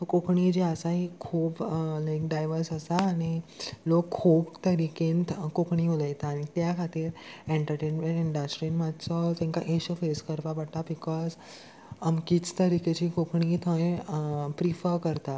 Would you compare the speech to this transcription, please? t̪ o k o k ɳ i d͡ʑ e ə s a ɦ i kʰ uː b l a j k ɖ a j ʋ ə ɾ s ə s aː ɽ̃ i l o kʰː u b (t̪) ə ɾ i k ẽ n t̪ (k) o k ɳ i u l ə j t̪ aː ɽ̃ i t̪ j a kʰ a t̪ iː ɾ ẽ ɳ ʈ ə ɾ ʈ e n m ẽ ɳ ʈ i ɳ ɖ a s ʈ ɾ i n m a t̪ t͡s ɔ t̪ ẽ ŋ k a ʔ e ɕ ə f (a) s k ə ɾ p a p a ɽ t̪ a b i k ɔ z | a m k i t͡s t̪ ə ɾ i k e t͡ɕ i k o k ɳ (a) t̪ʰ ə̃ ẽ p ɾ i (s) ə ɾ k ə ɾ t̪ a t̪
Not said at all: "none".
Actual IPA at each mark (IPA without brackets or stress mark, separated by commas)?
t̪, k, e, i, f